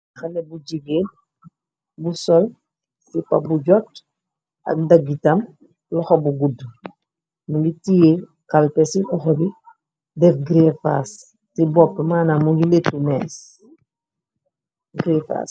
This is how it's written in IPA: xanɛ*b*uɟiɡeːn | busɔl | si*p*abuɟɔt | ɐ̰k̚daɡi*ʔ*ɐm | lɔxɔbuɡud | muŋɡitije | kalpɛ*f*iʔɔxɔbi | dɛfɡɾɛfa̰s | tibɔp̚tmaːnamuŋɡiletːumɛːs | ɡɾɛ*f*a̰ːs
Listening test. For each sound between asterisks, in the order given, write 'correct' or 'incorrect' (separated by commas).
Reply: correct, correct, incorrect, incorrect, correct